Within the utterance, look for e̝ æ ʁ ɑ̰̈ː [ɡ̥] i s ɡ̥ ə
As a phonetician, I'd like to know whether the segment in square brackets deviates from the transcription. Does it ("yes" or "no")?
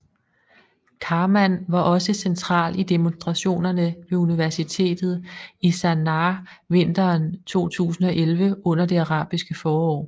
yes